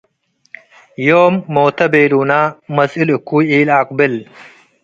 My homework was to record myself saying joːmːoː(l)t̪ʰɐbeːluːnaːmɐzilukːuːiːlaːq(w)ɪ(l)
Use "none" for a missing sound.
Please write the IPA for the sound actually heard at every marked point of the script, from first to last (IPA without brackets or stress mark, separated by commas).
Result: none, b, l